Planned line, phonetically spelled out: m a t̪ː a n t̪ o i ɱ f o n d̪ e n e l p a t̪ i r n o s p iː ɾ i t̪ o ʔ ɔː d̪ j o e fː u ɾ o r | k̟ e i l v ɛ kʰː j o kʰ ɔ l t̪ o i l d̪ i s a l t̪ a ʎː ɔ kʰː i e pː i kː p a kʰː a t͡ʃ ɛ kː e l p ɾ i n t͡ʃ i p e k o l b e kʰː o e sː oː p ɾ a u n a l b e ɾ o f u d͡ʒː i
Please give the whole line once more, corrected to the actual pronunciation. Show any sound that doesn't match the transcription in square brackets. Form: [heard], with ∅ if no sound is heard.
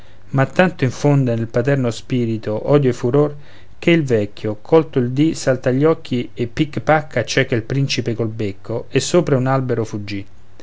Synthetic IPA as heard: m a t̪ː a n t̪ o i ɱ f o n d̪ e n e l p a t̪ [ɛ] r n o s p iː ɾ i t̪ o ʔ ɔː d̪ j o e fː u ɾ o r | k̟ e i l v ɛ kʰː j o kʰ ɔ l t̪ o i l d̪ i s a l t̪ a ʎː ɔ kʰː i e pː i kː p a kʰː a t͡ʃ ɛ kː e l p ɾ i n t͡ʃ i p e k o l b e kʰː o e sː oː p ɾ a u n a l b e ɾ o f u d͡ʒː i